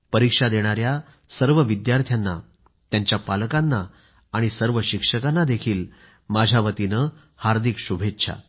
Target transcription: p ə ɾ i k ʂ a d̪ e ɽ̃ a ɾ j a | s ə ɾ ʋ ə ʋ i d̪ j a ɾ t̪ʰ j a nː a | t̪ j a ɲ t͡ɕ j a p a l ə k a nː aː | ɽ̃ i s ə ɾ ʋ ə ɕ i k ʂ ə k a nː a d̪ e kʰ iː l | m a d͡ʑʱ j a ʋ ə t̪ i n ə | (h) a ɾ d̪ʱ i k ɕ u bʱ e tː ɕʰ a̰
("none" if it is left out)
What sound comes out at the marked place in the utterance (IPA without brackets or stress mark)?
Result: h